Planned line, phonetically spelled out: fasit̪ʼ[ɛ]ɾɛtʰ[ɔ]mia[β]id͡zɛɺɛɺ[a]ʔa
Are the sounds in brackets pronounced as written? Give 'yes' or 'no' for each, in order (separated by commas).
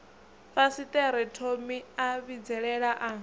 yes, no, yes, yes